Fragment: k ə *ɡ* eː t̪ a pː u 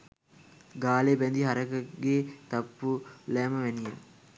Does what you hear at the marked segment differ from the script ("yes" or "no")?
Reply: no